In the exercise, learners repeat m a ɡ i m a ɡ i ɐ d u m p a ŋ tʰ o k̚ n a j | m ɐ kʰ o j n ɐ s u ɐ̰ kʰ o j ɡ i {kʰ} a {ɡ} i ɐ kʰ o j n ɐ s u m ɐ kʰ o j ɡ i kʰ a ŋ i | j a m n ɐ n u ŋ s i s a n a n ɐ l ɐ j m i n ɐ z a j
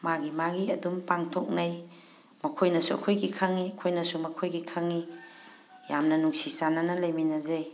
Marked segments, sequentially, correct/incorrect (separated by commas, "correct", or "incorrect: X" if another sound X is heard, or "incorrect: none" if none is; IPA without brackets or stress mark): correct, incorrect: ŋ